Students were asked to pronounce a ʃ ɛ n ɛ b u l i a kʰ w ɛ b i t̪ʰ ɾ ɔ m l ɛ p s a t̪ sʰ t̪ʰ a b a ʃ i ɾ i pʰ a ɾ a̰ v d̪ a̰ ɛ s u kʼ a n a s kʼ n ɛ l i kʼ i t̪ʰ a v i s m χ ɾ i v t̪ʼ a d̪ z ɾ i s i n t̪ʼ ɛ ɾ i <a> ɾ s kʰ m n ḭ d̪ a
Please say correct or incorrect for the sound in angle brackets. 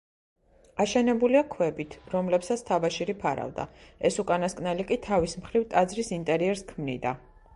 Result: incorrect